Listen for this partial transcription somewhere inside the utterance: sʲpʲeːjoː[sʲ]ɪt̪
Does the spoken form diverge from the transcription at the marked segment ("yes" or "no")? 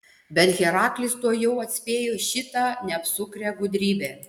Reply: yes